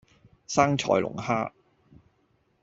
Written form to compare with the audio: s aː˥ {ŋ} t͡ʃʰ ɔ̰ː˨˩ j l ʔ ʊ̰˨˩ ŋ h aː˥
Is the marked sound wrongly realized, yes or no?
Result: no